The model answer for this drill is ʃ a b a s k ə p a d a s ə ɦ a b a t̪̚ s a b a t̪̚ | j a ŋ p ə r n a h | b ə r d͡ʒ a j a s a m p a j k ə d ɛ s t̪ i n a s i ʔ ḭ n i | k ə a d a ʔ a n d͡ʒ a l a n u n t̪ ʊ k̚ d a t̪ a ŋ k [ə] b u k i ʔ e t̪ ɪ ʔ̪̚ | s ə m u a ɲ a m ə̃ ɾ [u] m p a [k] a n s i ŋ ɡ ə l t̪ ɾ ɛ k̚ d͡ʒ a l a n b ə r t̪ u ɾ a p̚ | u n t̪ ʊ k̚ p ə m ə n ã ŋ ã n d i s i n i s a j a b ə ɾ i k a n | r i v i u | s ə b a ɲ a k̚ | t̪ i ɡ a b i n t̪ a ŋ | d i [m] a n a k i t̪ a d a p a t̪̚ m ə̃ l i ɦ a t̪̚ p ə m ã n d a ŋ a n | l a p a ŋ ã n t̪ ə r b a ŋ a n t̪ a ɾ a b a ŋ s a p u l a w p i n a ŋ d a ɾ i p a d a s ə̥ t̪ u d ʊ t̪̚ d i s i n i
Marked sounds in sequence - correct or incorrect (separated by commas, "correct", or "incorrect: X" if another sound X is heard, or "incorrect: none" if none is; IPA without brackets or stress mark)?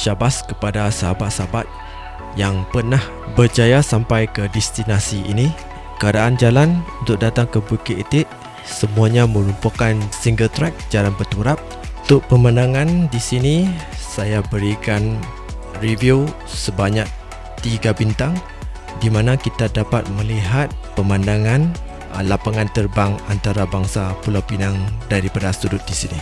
correct, correct, correct, correct